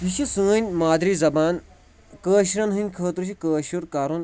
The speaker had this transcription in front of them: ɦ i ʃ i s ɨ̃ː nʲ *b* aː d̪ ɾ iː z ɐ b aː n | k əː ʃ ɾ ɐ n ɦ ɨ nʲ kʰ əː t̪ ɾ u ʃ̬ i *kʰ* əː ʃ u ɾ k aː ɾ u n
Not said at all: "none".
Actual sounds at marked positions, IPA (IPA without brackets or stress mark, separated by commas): m, k